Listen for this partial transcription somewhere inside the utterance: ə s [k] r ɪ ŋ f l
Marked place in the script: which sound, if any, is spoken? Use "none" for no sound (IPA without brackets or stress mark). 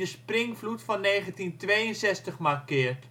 p